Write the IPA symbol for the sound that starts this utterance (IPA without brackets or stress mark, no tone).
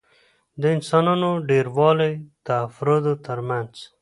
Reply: d̪